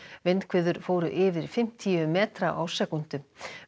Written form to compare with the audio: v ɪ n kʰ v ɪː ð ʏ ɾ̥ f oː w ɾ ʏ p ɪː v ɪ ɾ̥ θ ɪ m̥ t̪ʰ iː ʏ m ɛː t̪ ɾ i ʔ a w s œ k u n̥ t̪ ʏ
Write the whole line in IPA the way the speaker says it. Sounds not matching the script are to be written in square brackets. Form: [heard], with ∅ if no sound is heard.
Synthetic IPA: v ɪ n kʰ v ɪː ð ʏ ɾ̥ f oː w ɾ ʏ [ʔ] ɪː v ɪ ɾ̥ [f] ɪ m̥ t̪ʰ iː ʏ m ɛː t̪ ɾ [a] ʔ a w s [ɛ] k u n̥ t̪ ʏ